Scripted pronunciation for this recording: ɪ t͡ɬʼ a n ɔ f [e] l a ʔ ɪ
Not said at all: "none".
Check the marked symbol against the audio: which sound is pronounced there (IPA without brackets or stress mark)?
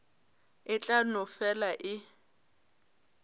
ɛ